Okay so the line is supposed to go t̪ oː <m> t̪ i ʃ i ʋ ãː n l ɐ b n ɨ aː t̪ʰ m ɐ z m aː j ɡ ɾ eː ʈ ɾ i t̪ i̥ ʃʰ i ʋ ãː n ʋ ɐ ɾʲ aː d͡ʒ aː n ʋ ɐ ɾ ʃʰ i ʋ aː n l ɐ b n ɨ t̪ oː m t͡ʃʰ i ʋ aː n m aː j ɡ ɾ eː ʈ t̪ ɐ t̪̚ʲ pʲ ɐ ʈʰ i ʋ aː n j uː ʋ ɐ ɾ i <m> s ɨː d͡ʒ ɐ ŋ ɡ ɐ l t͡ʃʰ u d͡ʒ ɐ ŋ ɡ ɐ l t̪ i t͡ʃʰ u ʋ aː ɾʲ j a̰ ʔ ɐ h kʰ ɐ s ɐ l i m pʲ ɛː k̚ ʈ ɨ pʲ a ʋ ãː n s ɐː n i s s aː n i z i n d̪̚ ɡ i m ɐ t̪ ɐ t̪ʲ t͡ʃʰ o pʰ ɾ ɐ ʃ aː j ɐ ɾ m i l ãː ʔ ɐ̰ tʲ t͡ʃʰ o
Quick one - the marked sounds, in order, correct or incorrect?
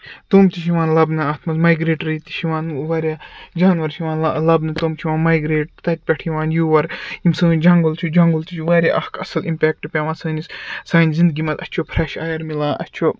correct, correct

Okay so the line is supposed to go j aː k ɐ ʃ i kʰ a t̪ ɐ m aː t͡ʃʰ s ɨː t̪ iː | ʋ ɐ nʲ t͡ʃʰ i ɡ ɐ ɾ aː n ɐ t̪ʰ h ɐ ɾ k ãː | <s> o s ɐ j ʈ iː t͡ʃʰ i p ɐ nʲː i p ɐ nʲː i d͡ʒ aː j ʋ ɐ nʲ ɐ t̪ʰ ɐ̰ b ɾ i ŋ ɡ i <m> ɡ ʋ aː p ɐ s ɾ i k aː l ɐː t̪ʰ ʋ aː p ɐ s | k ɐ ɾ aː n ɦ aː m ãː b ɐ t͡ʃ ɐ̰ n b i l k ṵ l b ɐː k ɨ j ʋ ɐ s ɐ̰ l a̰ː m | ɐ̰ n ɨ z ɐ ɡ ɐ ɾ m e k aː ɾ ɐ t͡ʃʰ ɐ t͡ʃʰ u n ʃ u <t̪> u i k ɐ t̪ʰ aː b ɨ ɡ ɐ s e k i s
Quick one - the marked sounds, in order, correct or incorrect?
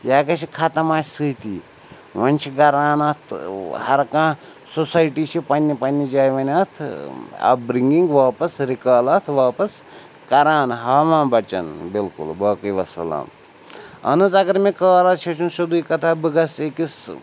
correct, incorrect, incorrect

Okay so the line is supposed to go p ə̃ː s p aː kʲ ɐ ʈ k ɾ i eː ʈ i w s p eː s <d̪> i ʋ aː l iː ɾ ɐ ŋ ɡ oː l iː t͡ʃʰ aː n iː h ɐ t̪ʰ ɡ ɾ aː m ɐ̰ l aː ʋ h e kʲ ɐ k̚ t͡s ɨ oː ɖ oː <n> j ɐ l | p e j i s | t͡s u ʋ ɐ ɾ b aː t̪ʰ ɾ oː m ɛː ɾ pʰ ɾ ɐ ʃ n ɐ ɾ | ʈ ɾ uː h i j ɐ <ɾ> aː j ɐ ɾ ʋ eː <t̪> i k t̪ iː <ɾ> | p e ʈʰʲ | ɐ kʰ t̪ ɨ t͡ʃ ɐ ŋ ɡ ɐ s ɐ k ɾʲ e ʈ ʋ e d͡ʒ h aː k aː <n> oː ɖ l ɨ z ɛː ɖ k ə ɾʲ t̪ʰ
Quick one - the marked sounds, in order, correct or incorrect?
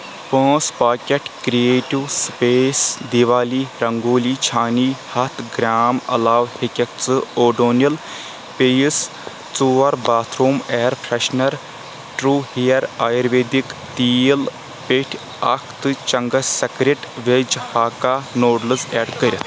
correct, correct, correct, incorrect, incorrect, correct

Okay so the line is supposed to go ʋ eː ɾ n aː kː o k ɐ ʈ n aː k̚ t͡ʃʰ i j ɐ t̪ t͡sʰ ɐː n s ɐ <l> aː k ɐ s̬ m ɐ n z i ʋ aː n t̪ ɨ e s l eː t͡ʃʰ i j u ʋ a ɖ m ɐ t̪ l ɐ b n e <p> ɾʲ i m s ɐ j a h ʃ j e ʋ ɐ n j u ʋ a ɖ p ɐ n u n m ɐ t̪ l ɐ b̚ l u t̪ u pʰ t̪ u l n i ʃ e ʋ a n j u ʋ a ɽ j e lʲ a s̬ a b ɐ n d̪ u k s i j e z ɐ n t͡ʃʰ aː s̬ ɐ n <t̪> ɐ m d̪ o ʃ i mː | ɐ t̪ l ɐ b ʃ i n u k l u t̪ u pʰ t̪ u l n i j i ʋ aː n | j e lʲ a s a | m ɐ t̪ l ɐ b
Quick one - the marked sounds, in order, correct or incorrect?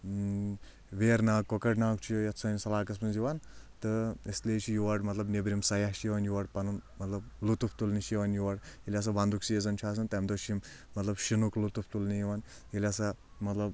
correct, incorrect, correct

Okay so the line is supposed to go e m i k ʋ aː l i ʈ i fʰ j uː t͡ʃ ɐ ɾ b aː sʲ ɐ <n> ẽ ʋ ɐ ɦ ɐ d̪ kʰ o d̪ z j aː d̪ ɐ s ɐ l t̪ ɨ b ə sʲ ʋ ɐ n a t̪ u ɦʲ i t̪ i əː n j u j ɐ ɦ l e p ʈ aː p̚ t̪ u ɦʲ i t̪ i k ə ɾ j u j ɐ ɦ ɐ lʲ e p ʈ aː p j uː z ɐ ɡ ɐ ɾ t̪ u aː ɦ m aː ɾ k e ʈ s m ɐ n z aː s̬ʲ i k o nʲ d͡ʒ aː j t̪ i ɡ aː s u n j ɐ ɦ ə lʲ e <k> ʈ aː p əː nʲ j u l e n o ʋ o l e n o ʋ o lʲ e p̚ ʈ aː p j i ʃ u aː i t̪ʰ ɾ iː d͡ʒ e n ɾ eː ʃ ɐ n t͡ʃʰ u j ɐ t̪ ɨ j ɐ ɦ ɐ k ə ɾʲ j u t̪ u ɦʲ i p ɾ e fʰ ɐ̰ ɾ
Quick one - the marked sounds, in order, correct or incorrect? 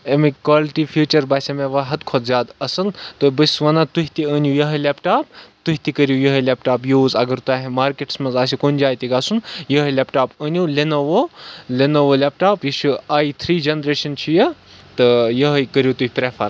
incorrect, incorrect

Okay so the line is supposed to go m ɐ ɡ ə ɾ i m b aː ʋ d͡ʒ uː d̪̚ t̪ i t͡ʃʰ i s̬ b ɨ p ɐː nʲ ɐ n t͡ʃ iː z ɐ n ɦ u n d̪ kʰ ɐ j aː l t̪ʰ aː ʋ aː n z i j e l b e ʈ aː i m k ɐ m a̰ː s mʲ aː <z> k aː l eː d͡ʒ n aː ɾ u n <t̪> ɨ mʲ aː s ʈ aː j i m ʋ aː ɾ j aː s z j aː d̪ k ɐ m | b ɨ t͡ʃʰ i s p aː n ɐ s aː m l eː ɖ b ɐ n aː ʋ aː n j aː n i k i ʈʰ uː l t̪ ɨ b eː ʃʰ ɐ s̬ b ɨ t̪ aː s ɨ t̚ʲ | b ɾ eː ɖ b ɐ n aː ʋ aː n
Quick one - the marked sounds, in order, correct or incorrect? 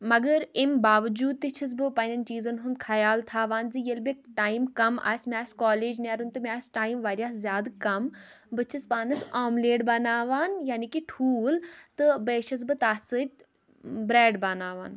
incorrect, correct

